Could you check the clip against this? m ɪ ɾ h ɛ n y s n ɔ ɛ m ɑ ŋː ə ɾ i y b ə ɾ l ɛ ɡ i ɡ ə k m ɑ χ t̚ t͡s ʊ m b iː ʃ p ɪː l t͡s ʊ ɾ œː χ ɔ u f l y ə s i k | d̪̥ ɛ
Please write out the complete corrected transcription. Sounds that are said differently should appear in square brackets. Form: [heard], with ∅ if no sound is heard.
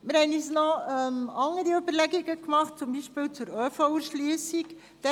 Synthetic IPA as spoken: m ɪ ɾ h ɛ n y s n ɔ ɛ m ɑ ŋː ə ɾ i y b ə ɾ l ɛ ɡ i ɡ ə k m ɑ χ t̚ t͡s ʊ m b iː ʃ p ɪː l t͡s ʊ ɾ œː [f] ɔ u [ʃ] l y ə s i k | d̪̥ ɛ